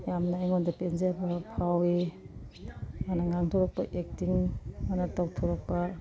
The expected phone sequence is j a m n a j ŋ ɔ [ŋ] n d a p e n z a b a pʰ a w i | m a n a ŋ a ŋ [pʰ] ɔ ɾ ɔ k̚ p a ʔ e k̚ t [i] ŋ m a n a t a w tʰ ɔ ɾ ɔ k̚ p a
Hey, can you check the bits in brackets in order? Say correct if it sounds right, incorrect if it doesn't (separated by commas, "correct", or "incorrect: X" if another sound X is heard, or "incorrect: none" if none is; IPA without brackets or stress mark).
incorrect: none, incorrect: tʰ, correct